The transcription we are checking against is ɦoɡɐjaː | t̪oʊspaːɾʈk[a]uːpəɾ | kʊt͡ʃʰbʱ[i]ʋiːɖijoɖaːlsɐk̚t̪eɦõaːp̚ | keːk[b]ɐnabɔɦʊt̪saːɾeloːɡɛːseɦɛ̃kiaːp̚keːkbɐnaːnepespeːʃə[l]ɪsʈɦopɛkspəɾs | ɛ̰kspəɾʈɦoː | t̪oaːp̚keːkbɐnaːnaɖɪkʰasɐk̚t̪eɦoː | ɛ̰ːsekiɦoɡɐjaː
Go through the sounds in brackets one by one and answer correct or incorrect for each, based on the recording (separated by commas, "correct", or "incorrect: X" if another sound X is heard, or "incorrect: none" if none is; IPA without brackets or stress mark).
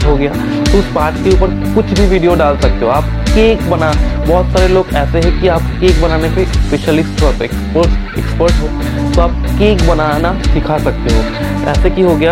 incorrect: e, correct, correct, correct